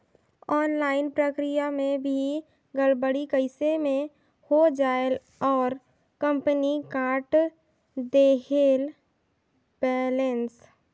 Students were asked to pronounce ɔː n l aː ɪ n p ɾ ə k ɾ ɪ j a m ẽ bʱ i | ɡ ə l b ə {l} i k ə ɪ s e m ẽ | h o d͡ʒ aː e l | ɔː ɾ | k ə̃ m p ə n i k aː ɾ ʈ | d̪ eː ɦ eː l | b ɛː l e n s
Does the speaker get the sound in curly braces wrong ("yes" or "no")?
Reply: yes